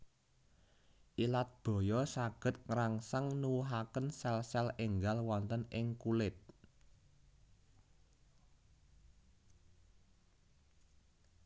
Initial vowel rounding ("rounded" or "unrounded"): unrounded